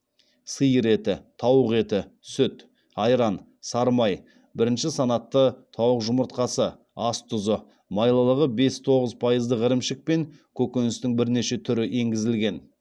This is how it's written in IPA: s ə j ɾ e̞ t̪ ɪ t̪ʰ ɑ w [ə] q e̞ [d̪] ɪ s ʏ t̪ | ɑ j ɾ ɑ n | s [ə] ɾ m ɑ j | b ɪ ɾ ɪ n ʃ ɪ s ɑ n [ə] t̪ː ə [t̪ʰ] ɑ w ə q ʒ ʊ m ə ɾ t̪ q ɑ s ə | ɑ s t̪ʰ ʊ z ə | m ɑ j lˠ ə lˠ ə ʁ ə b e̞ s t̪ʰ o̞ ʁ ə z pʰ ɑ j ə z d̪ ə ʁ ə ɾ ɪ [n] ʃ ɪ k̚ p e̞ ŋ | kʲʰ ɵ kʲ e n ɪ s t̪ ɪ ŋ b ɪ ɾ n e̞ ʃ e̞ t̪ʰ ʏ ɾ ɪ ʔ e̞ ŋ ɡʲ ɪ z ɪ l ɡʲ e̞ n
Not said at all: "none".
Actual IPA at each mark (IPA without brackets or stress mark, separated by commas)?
ə, t̪, ɑ, ɑ, t̪ʰ, m